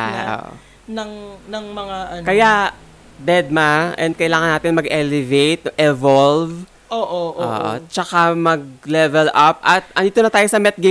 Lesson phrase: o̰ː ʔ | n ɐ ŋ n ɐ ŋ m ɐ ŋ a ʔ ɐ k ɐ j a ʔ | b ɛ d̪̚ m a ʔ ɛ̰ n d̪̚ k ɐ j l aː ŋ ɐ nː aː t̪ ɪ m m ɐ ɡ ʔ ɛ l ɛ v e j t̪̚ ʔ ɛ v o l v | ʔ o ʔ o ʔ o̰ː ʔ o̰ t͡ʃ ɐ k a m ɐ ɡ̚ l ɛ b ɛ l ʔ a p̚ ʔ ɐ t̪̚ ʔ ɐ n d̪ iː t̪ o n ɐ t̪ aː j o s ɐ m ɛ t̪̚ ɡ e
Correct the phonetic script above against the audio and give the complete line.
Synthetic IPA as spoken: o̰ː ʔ | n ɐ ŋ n ɐ ŋ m ɐ ŋ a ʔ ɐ k ɐ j a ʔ | b ɛ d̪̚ m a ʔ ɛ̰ n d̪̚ k ɐ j l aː ŋ ɐ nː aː t̪ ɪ n m ɐ ɡ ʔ ɛ l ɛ v e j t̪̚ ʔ ɛ v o l v | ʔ o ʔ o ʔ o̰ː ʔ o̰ t͡ʃ ɐ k a m ɐ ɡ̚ l ɛ v ɛ l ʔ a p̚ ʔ ɐ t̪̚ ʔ ɐ n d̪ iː t̪ o n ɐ t̪ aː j o s ɐ m ɛ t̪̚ ɡ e